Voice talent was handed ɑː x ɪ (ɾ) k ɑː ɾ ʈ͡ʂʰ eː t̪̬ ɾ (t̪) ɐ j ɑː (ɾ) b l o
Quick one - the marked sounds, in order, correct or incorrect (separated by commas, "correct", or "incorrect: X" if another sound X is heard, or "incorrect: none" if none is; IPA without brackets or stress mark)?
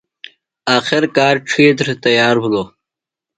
correct, correct, correct